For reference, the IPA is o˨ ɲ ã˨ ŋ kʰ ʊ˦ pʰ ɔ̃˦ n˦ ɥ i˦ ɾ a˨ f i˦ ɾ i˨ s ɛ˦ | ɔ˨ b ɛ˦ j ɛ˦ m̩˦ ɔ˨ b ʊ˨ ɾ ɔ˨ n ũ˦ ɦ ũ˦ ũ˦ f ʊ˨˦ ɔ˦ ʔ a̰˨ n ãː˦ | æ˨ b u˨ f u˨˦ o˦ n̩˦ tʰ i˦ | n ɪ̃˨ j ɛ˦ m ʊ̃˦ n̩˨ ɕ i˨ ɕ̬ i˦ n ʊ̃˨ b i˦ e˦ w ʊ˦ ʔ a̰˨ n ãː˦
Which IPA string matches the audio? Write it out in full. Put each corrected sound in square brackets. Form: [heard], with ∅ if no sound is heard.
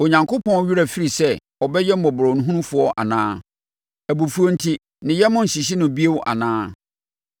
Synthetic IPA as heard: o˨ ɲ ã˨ ŋ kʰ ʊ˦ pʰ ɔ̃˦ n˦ ɥ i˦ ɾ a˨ f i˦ ɾ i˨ s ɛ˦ | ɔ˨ b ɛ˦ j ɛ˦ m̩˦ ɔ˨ b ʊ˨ ɾ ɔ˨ n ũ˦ ɦ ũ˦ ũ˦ f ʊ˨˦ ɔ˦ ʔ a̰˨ n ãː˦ | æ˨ b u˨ f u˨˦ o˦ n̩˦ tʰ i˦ | n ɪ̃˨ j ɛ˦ m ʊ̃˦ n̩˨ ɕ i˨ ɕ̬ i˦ n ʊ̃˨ b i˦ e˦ w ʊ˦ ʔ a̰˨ n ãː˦